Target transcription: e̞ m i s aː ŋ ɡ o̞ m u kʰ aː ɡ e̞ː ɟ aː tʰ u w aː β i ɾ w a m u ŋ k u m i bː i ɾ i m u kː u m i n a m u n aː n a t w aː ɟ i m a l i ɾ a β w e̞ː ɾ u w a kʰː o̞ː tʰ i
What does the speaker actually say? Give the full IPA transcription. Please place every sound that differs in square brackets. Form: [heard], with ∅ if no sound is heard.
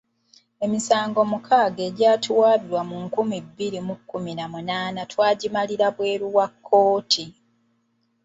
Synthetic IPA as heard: e̞ m i s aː ŋ ɡ o̞ m u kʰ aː ɡ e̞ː ɟ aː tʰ u w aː β i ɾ w a m u ŋ k u m i bː i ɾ i m u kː u m i n a m u n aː n a t w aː ɟ i m a l i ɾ a β w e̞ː ɾ u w a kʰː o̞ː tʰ i

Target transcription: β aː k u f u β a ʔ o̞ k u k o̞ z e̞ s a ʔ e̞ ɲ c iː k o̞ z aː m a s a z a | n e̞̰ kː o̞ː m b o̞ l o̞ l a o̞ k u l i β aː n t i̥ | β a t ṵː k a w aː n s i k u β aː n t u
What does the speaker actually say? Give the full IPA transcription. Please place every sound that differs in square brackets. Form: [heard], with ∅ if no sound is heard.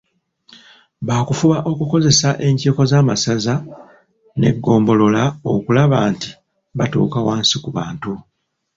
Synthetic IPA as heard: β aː k u f u β a ʔ o̞ k u k o̞ z e̞ s a ʔ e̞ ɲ c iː k o̞ z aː m a s a z a | n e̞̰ [ɡː] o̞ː m b o̞ l o̞ l a o̞ k u l [a] β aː n t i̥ | β a t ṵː k a w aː n s i k u β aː n t u

